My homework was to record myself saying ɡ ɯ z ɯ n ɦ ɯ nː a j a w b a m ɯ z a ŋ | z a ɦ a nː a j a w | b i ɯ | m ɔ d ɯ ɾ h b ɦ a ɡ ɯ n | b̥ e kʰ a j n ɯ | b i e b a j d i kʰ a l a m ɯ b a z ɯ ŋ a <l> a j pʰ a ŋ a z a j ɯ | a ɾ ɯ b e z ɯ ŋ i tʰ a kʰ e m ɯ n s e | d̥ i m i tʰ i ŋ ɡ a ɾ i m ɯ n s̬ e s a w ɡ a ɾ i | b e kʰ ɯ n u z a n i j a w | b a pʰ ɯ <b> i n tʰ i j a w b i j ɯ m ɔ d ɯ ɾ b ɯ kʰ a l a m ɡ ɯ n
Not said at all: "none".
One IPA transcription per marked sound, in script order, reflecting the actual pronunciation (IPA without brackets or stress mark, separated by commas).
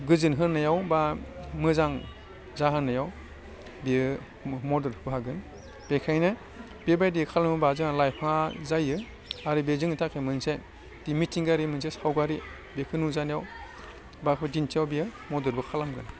l, d